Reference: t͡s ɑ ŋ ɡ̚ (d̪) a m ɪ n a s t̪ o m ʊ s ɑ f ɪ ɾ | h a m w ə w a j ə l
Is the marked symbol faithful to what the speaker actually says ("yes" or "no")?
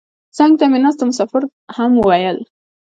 no